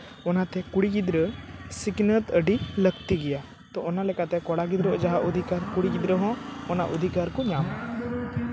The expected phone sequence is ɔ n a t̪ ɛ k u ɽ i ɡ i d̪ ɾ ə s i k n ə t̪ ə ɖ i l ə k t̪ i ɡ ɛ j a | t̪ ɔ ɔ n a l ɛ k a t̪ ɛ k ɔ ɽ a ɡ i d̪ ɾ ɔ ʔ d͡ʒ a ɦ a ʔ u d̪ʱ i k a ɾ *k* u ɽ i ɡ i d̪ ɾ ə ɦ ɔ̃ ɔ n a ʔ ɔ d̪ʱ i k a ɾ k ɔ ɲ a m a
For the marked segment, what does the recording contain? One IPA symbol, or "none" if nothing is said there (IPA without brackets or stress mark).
k